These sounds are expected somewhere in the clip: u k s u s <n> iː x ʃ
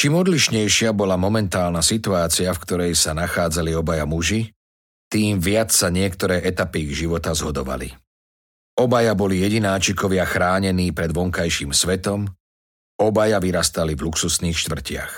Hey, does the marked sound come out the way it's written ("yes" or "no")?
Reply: yes